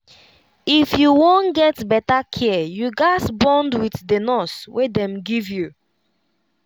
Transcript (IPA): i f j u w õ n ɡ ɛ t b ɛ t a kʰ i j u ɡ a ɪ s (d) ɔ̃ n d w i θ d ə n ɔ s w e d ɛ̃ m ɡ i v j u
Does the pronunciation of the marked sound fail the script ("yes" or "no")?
yes